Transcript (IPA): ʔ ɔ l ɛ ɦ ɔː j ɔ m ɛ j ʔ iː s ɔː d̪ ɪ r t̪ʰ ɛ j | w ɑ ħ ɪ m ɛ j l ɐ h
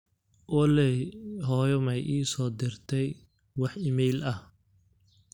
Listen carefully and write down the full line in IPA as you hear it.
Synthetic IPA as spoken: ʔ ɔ l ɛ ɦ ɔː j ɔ m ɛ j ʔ iː s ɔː d̪ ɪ r t̪ʰ ɛ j | w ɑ ħ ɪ m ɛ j l ɐ h